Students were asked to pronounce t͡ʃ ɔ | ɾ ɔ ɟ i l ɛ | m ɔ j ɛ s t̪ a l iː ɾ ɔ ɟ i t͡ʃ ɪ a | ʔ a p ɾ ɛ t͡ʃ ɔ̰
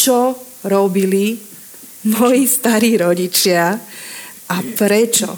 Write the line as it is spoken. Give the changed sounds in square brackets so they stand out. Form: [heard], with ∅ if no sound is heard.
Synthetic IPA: t͡ʃ ɔ | ɾ ɔ [b] i l [i] | m ɔ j [i] s t̪ a [ɾ] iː ɾ ɔ ɟ i t͡ʃ ɪ a | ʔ a p ɾ ɛ t͡ʃ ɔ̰